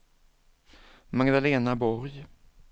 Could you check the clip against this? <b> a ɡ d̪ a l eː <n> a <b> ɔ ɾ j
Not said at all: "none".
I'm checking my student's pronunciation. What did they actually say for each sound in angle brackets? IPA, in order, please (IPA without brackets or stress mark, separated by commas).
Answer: m, n, b